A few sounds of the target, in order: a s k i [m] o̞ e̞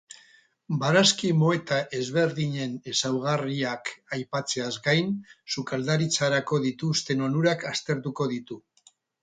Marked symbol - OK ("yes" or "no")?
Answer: yes